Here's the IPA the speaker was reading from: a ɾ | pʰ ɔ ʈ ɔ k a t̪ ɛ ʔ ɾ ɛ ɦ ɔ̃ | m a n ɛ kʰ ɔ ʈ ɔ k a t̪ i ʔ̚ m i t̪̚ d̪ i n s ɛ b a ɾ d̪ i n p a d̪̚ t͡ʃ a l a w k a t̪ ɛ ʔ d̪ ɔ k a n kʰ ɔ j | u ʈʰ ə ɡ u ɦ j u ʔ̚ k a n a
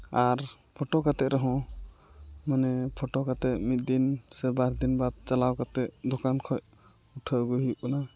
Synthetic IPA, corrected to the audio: a ɾ | pʰ ɔ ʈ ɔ k a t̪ ɛ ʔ ɾ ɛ ɦ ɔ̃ | m a n ɛ pʰ ɔ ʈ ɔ k a t̪ ɛ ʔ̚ m i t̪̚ d̪ i n s ɛ b a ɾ d̪ i n b a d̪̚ t͡ʃ a l a w k a t̪ ɛ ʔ d̪ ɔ k a n kʰ ɔ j | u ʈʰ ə ɡ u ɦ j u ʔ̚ k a n a

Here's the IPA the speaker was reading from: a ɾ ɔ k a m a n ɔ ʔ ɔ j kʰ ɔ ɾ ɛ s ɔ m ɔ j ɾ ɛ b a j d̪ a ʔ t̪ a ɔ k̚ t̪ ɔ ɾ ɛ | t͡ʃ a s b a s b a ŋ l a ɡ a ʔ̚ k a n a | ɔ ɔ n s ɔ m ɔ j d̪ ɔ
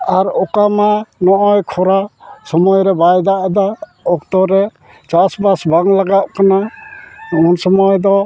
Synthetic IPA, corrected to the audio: a ɾ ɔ k a m a n ɔ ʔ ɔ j kʰ ɔ ɾ a s ɔ m ɔ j ɾ ɛ b a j d̪ a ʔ d̪ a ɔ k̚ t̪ ɔ ɾ ɛ | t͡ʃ a s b a s b a ŋ l a ɡ a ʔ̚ k a n a | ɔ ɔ n s ɔ m ɔ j d̪ ɔ

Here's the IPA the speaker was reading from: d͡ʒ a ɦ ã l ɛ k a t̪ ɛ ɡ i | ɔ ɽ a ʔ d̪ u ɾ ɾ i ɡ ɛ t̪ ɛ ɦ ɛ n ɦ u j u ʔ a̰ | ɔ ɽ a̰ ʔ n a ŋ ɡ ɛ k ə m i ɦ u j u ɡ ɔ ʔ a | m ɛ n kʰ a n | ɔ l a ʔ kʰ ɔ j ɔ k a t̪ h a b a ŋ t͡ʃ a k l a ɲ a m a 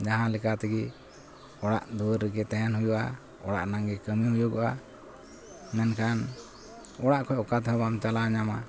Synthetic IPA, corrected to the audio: d͡ʒ a ɦ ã l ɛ k a t̪ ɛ ɡ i | ɔ ɽ a ʔ d̪ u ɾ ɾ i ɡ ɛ t̪ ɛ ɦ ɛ n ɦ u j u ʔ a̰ | ɔ ɽ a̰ ʔ n a ŋ ɡ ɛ k ə m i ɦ u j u ɡ ɔ ʔ a | m ɛ n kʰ a n | ɔ ɽ a ʔ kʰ ɔ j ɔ k a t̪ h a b a m t͡ʃ a l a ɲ a m a

